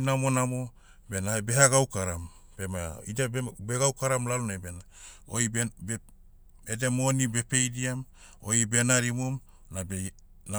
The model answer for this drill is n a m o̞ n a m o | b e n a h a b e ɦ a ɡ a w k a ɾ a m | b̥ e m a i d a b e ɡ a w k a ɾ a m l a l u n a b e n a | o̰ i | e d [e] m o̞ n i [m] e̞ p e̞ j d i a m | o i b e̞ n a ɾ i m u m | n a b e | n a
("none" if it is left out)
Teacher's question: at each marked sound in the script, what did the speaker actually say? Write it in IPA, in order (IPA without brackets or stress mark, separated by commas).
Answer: e, b